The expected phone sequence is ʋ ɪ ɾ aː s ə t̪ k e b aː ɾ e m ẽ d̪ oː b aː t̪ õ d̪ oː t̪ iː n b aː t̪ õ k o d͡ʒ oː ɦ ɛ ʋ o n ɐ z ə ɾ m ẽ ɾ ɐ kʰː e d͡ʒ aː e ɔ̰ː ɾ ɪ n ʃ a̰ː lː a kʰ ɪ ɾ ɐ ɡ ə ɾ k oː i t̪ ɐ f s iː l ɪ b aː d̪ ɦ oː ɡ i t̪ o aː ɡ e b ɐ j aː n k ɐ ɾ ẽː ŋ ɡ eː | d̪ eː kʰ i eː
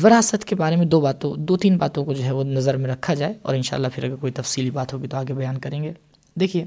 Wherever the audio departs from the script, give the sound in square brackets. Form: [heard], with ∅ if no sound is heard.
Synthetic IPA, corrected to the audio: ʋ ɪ ɾ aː s ə t̪ k e b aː ɾ e m ẽ d̪ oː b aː t̪ õ d̪ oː t̪ iː n b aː t̪ õ k o d͡ʒ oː ɦ ɛ ʋ o n ɐ z ə ɾ m ẽ ɾ ɐ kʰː [a] d͡ʒ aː e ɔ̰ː ɾ ɪ n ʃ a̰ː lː a [pʰ] ɪ ɾ ɐ ɡ ə ɾ k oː i t̪ ɐ f s iː l [i] b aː [t̪] ɦ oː ɡ i t̪ o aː ɡ e b ɐ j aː n k ɐ ɾ ẽː ŋ ɡ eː | d̪ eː kʰ i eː